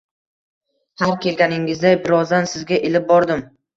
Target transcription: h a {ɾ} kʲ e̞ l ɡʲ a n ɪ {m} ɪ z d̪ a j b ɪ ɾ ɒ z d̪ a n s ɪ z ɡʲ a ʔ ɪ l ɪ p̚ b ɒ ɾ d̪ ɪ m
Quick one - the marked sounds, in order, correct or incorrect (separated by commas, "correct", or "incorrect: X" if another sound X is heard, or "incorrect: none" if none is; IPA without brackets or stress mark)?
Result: correct, incorrect: ŋ